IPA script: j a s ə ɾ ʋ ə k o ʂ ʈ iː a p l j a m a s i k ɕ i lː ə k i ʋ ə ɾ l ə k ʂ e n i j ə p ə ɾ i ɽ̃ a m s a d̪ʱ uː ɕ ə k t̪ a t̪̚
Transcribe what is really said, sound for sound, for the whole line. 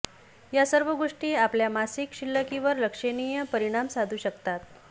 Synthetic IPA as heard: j a s ə ɾ ʋ ə ɡ o ʂ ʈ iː a p l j a m a s i k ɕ i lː ə k i ʋ ə ɾ l ə k ʂ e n i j ə p ə ɾ i ɽ̃ a m s a d̪ʱ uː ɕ ə k t̪ a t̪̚

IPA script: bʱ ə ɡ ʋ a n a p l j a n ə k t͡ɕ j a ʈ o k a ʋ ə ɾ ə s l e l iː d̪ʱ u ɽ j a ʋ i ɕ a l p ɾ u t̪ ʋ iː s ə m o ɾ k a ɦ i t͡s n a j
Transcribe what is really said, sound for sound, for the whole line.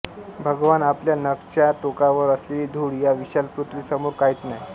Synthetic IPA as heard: bʱ ə ɡ ʋ a n a p l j a n ə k t͡ɕ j a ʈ o k a ʋ ə ɾ ə s l e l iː d̪ʱ u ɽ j a ʋ i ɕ a l p ɾ u t̪ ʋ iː s ə m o ɾ k a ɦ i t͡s n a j

